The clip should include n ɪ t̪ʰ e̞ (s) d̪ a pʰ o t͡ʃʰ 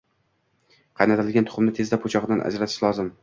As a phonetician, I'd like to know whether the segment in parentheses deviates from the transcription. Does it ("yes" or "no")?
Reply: yes